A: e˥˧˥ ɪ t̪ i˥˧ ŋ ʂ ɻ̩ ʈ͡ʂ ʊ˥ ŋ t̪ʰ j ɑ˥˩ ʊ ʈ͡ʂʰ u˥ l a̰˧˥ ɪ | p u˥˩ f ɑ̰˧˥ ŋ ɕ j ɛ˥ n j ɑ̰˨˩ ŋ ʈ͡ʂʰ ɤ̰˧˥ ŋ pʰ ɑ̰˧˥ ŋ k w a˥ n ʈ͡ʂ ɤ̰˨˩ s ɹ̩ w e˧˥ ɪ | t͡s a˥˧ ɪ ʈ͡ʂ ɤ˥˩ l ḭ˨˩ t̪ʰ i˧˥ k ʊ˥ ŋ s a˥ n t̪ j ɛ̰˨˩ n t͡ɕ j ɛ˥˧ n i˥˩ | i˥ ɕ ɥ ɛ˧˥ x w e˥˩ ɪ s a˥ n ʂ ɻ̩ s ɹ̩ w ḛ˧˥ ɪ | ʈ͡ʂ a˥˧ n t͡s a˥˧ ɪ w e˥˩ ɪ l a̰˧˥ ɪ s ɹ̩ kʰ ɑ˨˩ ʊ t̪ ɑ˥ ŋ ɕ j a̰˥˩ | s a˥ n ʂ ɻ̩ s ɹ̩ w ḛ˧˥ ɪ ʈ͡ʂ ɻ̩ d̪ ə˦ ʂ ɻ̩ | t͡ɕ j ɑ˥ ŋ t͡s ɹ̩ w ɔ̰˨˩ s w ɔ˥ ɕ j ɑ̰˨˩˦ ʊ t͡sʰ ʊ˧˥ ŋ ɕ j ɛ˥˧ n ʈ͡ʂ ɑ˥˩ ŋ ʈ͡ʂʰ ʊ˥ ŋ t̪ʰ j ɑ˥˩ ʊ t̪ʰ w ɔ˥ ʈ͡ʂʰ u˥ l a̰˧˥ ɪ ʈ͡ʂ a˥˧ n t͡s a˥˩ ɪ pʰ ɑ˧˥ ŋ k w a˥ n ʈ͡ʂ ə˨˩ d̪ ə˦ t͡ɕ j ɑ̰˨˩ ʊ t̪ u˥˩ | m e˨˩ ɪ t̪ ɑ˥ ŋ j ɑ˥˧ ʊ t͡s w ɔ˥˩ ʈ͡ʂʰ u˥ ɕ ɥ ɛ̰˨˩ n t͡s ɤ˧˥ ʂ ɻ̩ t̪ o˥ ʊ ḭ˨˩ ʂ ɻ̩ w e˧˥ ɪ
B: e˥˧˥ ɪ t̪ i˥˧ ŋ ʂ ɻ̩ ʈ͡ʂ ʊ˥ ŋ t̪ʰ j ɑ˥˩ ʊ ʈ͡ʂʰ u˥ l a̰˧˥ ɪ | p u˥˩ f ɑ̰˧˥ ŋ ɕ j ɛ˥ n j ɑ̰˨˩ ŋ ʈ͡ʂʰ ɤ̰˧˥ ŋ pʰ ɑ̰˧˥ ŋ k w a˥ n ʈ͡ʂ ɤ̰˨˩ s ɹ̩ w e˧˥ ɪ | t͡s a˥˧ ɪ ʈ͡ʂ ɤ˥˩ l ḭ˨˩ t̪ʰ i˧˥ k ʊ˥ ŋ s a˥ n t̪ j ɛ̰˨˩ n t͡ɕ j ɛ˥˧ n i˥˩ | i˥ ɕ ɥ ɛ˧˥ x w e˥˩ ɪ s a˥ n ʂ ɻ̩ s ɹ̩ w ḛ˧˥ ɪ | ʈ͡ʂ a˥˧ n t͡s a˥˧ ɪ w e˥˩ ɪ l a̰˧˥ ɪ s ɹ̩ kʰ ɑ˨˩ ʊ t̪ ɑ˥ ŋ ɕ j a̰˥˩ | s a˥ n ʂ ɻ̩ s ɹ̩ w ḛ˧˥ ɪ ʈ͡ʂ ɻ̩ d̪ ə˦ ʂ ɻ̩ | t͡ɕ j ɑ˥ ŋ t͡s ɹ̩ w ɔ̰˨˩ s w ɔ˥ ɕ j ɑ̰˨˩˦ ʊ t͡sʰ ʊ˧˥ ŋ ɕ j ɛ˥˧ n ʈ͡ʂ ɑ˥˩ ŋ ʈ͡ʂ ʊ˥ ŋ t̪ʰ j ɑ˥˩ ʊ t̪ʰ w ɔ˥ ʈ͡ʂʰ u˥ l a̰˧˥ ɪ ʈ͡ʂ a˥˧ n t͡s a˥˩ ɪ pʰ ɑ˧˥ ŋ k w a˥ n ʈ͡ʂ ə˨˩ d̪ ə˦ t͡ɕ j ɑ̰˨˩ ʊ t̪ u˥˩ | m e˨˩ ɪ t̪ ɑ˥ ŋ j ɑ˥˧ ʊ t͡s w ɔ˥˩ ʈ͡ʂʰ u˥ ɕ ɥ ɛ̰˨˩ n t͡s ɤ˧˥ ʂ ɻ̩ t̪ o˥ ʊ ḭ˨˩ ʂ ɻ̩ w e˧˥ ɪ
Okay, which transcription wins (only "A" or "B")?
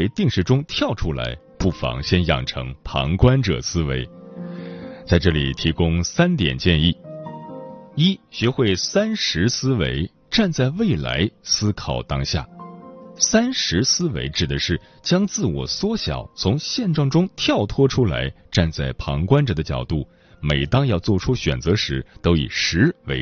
B